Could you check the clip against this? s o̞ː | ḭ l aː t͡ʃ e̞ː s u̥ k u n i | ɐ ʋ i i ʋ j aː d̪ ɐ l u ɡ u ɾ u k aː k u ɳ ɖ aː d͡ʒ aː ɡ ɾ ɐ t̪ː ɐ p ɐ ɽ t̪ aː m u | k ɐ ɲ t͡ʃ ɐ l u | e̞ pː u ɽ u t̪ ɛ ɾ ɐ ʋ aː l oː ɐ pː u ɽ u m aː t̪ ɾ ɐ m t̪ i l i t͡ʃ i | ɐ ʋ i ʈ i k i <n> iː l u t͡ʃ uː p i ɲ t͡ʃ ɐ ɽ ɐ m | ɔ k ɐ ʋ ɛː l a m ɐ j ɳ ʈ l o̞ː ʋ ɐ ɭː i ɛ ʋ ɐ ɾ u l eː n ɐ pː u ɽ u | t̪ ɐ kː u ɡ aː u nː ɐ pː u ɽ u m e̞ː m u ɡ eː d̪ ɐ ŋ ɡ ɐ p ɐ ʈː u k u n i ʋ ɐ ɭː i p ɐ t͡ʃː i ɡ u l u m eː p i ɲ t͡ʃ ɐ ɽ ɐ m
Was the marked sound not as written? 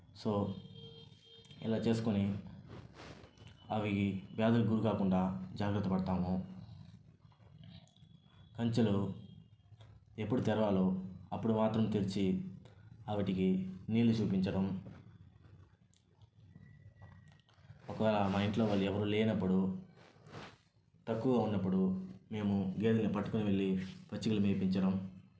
no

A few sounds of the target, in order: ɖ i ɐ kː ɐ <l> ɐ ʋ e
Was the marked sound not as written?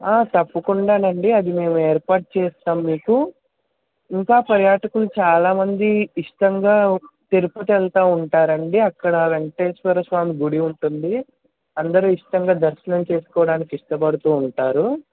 yes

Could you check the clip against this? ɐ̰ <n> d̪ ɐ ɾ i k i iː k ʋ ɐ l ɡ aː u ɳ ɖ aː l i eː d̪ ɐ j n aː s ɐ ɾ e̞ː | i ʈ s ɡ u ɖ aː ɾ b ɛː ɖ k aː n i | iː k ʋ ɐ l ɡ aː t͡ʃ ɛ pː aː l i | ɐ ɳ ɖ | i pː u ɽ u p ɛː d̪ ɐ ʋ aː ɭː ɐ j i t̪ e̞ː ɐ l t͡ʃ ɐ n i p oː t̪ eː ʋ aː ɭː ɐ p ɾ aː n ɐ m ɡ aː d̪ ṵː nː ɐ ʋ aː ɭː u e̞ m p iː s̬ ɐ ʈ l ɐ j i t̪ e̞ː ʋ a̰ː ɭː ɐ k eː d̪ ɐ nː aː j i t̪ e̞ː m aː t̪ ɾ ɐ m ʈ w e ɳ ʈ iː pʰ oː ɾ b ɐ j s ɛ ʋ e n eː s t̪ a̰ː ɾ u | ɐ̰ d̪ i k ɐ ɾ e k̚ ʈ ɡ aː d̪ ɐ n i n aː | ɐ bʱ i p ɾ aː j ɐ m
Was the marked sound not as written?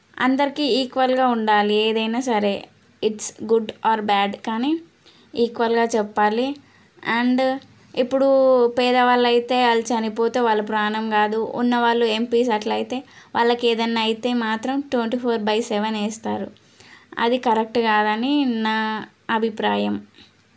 no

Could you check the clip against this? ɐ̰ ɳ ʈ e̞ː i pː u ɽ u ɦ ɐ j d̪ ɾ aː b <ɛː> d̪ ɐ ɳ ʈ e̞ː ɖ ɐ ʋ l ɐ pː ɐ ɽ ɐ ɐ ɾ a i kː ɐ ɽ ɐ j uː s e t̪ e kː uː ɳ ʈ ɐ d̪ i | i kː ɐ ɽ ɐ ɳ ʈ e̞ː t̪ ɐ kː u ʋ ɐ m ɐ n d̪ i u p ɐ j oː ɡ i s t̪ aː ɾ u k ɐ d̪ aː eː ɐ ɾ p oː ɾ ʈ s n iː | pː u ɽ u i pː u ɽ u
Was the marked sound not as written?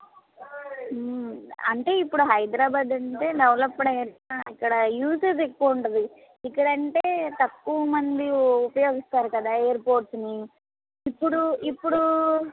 yes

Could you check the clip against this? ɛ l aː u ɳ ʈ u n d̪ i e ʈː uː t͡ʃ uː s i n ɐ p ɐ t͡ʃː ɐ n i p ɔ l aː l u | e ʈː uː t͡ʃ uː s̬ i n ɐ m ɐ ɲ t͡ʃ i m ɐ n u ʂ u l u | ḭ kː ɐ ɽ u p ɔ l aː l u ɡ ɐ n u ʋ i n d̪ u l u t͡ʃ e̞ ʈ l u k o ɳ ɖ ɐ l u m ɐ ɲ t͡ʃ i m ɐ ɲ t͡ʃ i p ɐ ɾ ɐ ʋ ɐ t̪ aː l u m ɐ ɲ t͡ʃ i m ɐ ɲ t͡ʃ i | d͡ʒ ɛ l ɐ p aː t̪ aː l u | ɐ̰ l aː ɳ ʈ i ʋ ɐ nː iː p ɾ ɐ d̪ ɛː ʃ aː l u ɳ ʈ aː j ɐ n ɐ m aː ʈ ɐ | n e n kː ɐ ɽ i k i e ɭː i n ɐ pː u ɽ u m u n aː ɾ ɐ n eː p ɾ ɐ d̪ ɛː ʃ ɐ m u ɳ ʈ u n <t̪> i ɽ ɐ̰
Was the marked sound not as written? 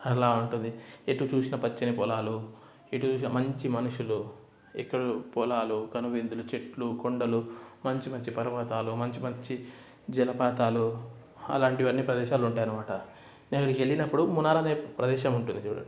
yes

